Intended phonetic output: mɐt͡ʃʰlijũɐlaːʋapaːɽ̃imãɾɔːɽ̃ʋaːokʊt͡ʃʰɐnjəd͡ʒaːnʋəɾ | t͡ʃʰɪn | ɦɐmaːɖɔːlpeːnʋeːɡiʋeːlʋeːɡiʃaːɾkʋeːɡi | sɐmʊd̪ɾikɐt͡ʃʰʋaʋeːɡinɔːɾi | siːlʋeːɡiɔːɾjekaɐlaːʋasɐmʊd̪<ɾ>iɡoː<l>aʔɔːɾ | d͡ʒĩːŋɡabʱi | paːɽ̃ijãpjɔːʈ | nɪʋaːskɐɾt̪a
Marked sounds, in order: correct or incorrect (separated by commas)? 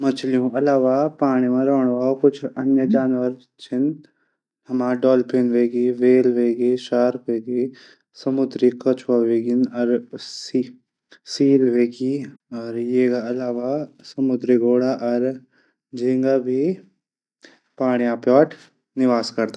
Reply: correct, incorrect